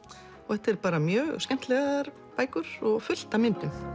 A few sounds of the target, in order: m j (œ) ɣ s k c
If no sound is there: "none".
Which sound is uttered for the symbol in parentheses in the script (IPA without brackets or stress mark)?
œː